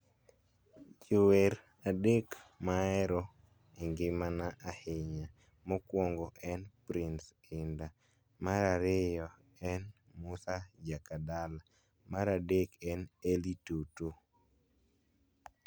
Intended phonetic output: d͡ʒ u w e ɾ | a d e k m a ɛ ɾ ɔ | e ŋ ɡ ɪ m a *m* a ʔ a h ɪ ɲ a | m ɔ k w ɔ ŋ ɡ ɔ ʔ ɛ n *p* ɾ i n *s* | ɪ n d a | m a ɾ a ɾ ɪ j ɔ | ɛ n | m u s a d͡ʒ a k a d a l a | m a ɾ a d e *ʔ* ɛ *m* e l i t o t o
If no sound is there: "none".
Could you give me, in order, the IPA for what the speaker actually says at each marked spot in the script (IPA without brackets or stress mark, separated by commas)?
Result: n, p, s, k, n